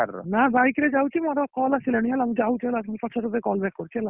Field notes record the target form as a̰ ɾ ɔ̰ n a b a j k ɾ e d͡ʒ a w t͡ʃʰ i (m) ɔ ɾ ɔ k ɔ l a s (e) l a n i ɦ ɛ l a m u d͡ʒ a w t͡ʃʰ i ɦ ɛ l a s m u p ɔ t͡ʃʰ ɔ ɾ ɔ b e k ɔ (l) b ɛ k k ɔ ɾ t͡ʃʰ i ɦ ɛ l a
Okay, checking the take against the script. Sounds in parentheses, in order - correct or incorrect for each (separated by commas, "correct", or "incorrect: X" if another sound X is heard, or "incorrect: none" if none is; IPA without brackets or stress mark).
correct, incorrect: i, correct